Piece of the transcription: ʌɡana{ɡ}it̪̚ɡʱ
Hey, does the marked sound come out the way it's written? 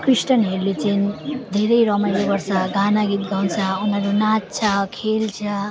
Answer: yes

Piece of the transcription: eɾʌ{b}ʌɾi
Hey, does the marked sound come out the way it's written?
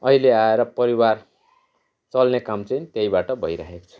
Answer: no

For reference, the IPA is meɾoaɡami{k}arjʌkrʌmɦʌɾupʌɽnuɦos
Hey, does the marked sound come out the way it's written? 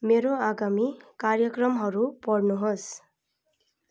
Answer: yes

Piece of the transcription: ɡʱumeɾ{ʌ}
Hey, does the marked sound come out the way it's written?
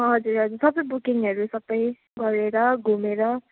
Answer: yes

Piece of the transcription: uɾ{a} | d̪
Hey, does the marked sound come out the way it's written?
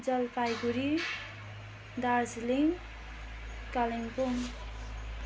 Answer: no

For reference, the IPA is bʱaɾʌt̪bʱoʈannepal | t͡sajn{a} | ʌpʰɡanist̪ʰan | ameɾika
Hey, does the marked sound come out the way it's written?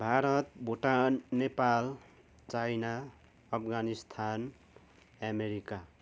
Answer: yes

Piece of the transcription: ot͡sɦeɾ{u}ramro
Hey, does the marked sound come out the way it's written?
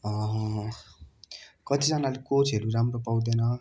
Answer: yes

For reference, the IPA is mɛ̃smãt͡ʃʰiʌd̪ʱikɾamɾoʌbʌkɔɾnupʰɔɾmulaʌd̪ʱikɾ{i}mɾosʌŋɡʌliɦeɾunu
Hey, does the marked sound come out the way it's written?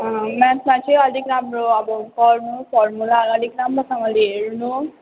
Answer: no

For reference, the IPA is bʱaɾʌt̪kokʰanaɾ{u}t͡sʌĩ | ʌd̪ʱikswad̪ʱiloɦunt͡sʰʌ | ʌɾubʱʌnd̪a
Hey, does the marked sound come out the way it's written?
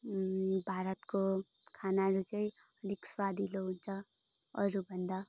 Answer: yes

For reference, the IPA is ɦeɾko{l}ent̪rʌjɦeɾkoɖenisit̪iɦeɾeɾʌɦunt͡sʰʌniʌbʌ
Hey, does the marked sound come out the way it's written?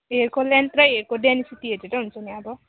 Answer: yes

